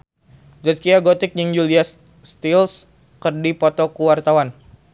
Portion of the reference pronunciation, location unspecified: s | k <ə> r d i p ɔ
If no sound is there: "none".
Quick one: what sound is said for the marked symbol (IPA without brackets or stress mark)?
ə